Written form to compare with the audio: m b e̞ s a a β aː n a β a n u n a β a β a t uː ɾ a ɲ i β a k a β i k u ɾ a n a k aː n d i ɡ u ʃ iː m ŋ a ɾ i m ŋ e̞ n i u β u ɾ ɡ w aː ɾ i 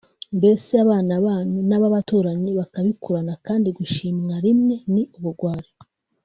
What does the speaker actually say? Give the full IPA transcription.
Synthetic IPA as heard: m b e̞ s e a β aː n a β a n u n a β a β a t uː ɾ a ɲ i β a k a β i k u ɾ a n a k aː n d i ɡ u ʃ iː m ŋ a ɾ i m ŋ e̞ n i u β u ɾ ɡ w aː ɾ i